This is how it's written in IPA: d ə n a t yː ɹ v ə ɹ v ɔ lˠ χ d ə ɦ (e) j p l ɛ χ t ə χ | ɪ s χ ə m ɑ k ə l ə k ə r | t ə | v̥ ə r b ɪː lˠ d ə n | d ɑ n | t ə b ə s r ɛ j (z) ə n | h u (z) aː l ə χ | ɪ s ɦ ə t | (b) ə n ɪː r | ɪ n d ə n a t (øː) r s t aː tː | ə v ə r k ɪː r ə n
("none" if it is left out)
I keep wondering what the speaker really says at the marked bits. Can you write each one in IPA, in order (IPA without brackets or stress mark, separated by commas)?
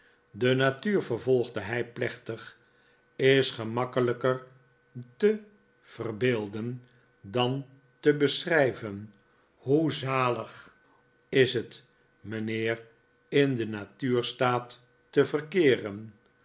ɛ, v, z, m, yː